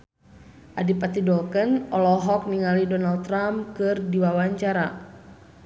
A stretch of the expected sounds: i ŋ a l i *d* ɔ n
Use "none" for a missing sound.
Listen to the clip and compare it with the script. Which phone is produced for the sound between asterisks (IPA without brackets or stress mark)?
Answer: d